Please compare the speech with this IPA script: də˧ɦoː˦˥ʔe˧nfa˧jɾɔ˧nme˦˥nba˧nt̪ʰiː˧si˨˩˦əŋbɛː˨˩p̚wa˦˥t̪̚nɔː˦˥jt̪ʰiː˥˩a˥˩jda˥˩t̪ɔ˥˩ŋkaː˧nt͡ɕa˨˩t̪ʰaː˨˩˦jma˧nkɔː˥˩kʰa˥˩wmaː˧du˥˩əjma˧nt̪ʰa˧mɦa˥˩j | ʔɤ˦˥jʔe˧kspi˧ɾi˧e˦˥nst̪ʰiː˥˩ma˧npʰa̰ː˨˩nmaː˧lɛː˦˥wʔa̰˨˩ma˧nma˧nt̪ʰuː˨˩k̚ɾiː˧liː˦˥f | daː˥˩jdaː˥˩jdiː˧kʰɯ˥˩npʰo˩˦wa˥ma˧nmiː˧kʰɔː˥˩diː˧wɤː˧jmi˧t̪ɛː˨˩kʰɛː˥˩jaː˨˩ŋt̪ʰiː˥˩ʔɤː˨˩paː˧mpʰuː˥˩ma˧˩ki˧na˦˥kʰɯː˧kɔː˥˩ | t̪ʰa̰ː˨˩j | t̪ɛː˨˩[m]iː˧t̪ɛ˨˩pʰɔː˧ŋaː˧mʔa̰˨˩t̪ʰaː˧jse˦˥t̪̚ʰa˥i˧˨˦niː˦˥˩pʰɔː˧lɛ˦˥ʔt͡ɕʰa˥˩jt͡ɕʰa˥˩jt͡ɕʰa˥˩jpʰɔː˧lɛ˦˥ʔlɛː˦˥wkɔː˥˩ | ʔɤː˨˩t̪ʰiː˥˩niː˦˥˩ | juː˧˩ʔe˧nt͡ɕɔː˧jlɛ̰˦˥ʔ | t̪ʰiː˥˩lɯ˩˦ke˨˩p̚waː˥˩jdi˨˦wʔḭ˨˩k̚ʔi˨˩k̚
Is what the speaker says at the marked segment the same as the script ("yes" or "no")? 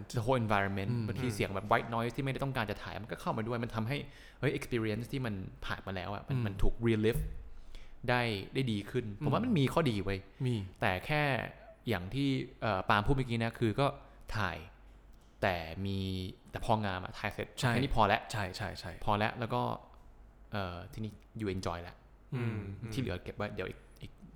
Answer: yes